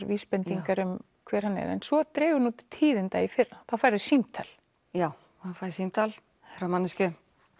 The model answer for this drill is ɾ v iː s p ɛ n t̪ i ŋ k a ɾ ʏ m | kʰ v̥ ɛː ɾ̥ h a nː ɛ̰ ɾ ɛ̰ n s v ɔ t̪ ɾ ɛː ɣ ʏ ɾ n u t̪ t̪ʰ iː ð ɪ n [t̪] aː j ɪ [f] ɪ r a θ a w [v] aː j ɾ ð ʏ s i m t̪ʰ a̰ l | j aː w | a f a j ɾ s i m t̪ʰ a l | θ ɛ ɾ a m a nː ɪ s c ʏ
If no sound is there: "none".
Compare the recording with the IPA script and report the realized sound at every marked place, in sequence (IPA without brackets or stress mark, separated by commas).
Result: t̪, f, f